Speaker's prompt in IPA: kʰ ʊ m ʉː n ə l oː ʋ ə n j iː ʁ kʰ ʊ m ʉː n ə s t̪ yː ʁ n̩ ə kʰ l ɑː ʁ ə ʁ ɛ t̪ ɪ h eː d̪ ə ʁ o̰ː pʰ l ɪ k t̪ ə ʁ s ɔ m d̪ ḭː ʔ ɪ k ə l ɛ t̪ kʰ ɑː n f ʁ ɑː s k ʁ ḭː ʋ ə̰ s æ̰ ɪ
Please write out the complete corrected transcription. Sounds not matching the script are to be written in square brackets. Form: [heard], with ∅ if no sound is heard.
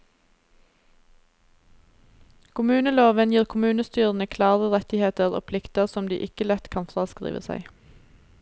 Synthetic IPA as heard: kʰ ʊ m ʉː n ə l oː ʋ ə n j iː ʁ kʰ ʊ m ʉː n ə s t̪ yː ʁ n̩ ə kʰ l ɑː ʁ ə ʁ ɛ t̪ ɪ h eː [t̪] ə ʁ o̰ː pʰ l ɪ k t̪ ə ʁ s ɔ m d̪ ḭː ʔ ɪ k ə l ɛ t̪ kʰ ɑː n f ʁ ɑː s k ʁ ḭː ʋ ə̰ s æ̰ ɪ